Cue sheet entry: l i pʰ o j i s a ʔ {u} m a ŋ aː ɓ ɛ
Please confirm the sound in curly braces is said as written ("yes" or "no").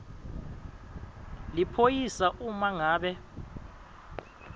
yes